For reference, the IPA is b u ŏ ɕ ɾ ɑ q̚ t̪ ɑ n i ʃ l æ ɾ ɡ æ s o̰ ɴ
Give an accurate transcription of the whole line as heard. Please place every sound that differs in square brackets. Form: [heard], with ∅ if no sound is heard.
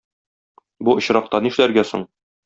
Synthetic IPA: b u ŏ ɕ ɾ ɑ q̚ t̪ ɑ n i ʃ l æ ɾ ɡ æ s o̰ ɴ